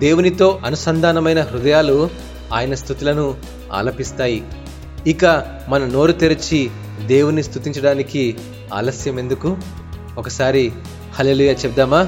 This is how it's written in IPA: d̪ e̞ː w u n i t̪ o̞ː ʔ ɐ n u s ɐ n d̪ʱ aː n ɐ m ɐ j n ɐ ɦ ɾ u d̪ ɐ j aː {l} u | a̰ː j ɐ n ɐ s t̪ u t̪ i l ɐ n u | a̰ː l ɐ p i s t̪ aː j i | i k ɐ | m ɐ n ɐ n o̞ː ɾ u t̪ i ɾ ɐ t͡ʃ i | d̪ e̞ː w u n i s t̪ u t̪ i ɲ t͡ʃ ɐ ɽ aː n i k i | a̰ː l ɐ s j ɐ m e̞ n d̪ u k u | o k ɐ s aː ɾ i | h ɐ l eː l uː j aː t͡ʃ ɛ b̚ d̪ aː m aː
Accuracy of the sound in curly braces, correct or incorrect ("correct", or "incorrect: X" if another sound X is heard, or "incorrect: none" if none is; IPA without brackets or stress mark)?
correct